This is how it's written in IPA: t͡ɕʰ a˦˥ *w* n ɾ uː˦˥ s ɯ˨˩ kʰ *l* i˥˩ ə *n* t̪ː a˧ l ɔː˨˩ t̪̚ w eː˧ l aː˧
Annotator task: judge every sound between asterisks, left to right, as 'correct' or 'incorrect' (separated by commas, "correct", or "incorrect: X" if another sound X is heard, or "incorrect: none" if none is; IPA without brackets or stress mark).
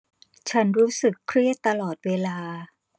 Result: incorrect: none, incorrect: ɾ, incorrect: none